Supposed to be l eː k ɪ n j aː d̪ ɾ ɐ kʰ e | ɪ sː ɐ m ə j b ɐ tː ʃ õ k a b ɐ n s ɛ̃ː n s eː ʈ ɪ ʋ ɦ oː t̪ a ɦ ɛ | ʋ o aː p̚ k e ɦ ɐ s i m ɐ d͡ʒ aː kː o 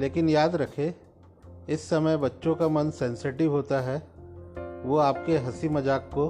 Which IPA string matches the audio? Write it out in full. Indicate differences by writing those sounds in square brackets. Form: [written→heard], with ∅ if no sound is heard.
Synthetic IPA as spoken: l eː k ɪ n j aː d̪ ɾ ɐ kʰ e | ɪ sː ɐ m ə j b ɐ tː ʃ õ k a [b→m] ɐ n s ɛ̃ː n s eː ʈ ɪ ʋ ɦ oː t̪ a ɦ ɛ | ʋ o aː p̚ k e ɦ ɐ s i m ɐ d͡ʒ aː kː o